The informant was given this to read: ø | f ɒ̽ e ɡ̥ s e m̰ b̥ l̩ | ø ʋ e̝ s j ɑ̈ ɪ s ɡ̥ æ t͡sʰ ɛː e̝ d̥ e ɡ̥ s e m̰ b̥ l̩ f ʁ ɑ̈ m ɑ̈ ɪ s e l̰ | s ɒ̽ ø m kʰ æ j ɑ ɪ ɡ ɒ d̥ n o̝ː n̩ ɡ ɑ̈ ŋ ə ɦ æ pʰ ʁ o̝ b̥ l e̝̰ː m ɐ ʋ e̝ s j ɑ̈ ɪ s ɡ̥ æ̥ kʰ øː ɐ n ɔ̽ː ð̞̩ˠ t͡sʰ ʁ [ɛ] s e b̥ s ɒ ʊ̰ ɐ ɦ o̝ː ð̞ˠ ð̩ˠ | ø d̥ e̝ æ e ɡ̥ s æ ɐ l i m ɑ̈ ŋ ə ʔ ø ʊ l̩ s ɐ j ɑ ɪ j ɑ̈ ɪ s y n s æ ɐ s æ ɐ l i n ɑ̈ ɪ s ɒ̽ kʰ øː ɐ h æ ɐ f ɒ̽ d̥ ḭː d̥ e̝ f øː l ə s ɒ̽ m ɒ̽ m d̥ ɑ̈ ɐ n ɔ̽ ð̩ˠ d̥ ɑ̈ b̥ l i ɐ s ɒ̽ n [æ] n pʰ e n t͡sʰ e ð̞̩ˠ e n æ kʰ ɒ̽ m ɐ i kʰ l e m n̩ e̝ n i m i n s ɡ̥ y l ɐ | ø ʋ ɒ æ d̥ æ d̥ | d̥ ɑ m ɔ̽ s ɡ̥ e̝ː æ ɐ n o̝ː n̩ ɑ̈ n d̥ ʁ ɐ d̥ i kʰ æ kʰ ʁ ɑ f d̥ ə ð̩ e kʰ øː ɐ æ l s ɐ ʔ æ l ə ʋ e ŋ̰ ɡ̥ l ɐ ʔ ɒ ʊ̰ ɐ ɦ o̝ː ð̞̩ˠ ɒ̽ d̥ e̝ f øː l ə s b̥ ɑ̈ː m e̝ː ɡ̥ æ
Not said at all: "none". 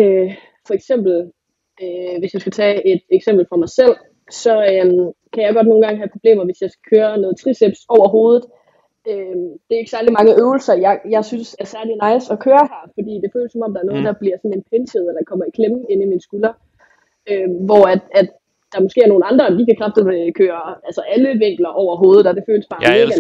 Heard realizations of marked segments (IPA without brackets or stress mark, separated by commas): i, e